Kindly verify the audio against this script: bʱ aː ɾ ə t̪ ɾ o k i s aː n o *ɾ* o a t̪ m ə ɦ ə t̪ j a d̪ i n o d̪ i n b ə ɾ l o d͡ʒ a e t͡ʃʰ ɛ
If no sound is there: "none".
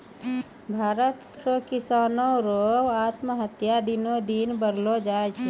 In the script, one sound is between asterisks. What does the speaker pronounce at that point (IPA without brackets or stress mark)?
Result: ɾ